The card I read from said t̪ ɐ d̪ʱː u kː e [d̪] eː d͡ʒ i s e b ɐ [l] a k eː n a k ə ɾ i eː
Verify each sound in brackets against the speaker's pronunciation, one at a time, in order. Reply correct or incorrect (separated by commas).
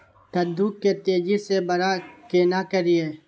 incorrect, incorrect